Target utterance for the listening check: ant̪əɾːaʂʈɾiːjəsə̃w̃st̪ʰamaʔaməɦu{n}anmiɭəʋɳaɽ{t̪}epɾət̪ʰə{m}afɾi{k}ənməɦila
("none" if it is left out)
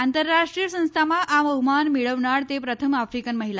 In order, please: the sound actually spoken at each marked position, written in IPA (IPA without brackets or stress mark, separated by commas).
m, t̪, m, k